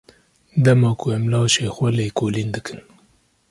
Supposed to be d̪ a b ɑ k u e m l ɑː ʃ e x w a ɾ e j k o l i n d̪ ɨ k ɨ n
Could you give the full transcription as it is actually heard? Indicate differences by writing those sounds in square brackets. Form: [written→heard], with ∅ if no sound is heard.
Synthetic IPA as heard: d̪ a [b→m] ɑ k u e m l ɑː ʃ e x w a [ɾ→l] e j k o l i n d̪ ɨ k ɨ n